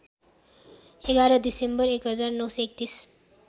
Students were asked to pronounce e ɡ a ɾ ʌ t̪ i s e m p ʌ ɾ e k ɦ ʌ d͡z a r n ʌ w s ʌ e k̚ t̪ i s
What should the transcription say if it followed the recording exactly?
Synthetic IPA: e ɡ a ɾ ʌ d̪ i s e m b ʌ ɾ e k ɦ ʌ d͡z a r n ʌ w s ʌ e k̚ t̪ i s